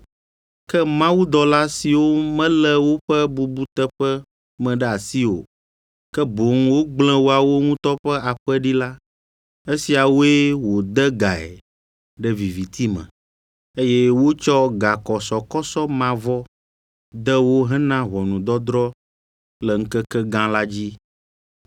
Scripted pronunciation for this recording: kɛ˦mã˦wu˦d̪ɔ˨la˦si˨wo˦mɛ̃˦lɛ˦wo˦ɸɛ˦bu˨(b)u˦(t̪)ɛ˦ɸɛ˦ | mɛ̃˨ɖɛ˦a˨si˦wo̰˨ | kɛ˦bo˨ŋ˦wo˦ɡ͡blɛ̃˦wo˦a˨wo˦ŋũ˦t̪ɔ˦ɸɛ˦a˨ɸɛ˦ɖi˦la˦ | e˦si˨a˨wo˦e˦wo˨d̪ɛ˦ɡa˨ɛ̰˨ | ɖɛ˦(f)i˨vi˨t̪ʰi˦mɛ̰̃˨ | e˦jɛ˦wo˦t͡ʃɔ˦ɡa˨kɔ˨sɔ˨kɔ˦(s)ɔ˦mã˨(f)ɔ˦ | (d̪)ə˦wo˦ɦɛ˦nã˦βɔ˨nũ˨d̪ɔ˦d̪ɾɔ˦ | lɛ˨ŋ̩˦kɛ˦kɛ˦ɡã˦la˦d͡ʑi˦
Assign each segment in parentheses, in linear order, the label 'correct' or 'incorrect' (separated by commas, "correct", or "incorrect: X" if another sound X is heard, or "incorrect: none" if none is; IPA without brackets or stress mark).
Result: correct, correct, incorrect: v, correct, incorrect: v, correct